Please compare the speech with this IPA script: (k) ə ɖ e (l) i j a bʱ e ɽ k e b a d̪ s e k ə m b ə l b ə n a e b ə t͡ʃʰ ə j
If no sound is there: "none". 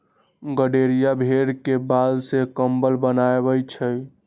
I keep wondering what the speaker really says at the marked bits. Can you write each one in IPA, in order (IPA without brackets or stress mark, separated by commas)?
ɡ, ɾ